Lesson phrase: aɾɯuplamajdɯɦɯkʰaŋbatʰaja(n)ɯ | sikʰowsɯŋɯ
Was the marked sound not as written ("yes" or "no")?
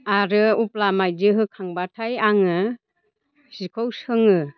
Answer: yes